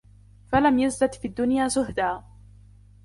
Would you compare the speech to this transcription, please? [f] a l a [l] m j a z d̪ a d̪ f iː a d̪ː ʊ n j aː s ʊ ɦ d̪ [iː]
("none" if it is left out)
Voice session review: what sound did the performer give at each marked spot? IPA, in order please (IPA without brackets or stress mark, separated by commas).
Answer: f, none, aː